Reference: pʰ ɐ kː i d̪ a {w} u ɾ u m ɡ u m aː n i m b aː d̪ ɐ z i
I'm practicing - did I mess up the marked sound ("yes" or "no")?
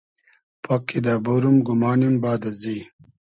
yes